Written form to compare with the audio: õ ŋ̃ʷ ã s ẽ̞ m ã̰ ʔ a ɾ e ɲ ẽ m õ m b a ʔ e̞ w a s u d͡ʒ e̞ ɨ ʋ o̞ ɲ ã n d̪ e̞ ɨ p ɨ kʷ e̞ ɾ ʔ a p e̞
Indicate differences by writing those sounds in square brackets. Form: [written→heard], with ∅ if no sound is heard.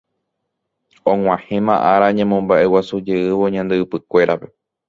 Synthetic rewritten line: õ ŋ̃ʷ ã [s→h] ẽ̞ m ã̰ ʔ a ɾ [e→a] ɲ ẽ m õ m b a ʔ e̞ w a s u d͡ʒ e̞ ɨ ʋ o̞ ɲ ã n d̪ e̞ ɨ p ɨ kʷ e̞ ɾ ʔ a p e̞